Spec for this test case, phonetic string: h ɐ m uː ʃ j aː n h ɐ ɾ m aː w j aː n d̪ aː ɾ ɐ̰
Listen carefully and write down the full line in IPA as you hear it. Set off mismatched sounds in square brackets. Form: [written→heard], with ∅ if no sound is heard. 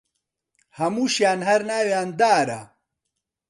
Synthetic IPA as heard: h ɐ m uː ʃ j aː n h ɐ ɾ [m→n] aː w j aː n d̪ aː ɾ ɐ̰